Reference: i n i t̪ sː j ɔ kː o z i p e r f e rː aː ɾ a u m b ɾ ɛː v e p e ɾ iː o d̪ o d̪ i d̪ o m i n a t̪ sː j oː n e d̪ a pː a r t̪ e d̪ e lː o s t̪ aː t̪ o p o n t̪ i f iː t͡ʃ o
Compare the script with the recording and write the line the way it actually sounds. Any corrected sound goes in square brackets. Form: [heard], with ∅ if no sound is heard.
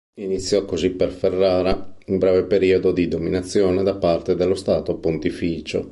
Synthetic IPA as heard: i n i t̪ sː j ɔ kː o z i p e r f e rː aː ɾ a u m b ɾ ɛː v e p e ɾ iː o d̪ o d̪ i d̪ o m i n a t̪ sː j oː n e d̪ a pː a r t̪ e d̪ e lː o s t̪ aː t̪ o p o n t̪ i f iː t͡ʃ o